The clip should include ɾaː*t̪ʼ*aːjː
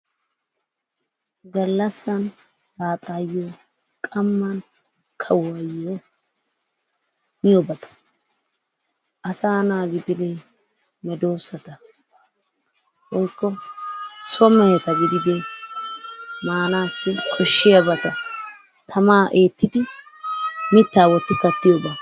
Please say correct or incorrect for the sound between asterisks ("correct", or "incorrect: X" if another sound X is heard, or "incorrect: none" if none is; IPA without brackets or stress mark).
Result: correct